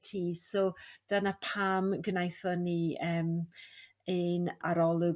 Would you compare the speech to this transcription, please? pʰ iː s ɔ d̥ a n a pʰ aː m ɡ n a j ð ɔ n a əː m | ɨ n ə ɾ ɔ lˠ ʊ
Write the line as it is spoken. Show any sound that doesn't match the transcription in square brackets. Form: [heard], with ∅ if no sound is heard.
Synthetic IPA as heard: [tʰ] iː s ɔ d̥ a n a pʰ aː m ɡ n a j [θ] ɔ n [i] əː m | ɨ n [a] ɾ ɔ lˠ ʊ